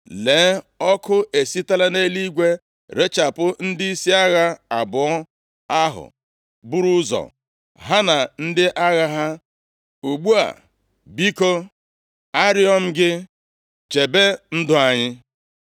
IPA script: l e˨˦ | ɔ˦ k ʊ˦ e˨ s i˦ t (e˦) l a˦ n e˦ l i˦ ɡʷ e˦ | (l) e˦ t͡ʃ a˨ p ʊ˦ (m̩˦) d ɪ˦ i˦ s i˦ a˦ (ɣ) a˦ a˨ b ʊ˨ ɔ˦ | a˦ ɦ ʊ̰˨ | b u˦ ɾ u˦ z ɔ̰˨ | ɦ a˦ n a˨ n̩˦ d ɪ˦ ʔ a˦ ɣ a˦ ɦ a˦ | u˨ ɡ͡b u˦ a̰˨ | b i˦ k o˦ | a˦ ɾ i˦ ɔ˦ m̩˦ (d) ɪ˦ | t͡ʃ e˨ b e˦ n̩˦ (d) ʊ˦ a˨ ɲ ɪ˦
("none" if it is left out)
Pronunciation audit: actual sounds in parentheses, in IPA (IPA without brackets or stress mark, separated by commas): a˦, ɾ, n̩˦, ɣ, ɡ, d